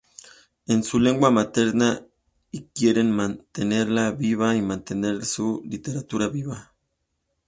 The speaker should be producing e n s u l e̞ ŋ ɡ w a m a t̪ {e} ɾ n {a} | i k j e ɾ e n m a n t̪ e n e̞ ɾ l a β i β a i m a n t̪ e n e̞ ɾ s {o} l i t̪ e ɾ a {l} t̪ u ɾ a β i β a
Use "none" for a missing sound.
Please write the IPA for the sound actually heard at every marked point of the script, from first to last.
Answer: e, a, u, none

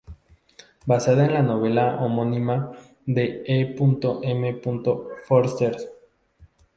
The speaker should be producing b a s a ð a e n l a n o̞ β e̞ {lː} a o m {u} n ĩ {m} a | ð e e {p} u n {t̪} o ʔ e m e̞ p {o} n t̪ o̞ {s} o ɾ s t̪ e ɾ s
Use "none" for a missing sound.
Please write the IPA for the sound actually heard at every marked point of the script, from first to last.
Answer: l, o, m, p, t̪, u, f

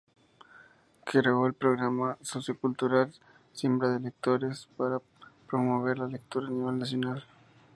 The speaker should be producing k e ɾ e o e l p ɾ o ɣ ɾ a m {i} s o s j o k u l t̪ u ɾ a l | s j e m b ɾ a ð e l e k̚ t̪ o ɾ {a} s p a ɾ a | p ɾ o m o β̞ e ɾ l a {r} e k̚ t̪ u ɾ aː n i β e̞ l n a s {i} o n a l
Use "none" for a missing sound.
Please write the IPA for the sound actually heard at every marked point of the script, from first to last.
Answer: a, e, l, j

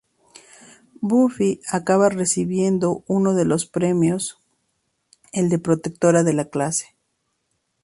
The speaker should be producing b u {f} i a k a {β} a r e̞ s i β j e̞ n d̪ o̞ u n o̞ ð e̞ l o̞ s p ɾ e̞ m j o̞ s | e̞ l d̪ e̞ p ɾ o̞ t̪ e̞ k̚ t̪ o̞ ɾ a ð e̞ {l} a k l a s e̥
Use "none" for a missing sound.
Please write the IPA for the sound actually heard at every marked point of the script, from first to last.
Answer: f, β, l

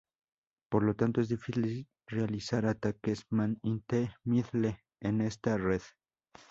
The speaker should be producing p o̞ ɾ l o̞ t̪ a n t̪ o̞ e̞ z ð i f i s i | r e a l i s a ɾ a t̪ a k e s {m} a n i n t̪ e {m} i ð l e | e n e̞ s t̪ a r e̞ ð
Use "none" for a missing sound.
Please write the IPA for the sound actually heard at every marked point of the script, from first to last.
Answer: m, m

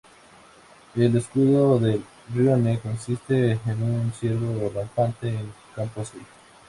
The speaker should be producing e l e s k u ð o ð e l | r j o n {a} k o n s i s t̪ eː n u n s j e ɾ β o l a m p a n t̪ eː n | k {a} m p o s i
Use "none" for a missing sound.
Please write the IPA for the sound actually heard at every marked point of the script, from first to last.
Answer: e, a

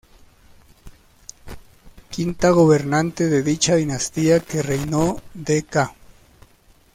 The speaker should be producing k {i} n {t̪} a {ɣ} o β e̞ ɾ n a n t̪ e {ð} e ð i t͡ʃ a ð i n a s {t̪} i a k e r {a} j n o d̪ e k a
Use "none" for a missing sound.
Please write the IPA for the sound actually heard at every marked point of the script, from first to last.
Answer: i, t̪, ɣ, ð, t̪, e

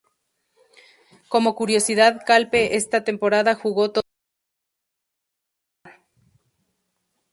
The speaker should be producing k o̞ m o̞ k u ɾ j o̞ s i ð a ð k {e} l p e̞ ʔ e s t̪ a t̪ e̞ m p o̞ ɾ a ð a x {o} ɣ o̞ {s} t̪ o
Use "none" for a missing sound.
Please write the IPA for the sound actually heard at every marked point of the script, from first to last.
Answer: a, u, none

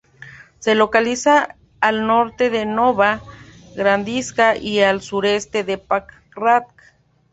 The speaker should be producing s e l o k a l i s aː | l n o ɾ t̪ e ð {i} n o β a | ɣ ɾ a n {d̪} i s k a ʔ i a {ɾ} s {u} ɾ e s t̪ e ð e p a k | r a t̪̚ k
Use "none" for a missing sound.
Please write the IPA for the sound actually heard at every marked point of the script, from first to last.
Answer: e, d̪, l, u

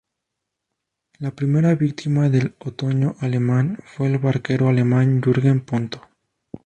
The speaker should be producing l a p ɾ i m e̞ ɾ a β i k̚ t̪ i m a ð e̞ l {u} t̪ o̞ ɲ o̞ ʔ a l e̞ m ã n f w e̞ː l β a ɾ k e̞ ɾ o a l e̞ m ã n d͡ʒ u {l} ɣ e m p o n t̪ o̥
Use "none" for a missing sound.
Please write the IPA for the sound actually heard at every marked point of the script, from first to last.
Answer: o, ɾ

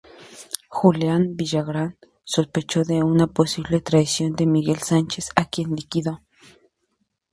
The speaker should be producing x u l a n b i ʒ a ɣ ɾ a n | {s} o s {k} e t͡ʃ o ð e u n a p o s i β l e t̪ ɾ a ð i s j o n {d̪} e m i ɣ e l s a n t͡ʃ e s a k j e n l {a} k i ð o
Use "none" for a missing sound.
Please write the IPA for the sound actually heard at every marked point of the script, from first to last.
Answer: s, p, d̪, i

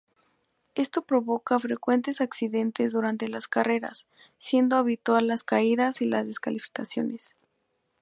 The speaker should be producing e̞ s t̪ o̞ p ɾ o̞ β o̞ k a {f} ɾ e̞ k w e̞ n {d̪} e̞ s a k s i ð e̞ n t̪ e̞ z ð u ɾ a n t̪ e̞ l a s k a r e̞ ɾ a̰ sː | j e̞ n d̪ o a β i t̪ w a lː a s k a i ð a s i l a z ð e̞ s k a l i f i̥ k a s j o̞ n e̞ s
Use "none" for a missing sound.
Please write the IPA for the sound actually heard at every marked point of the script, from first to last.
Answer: f, t̪

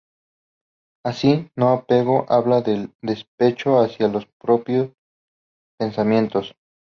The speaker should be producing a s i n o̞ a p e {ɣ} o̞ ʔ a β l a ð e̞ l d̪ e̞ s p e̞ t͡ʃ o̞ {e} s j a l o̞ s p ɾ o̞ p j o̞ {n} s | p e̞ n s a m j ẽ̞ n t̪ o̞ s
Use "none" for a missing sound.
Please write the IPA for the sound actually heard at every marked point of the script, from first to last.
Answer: ɣ, a, none

